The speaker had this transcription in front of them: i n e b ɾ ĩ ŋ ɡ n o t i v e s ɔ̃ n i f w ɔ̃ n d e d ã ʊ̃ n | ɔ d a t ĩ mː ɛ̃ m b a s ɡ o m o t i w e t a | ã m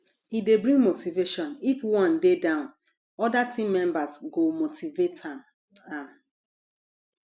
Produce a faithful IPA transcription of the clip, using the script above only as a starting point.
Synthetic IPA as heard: i d e b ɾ ĩ ŋ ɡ m o t i v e ʃ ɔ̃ n i f w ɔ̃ n d e d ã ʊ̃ n | ɔ d a t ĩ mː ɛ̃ m b a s ɡ o m o t i v e t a | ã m